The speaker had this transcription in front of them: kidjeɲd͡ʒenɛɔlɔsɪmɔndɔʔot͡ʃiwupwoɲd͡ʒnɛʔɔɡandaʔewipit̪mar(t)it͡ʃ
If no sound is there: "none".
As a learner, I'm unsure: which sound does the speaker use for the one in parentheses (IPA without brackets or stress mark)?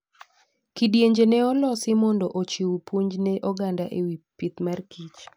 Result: k